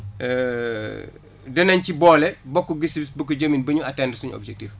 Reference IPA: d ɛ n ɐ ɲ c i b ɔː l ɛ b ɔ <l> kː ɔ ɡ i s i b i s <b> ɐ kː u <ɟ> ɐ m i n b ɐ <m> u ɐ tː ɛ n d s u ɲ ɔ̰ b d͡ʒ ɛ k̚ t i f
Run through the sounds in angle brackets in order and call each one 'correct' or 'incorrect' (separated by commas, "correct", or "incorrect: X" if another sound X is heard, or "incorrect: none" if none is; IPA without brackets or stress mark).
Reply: incorrect: none, correct, correct, incorrect: ɲ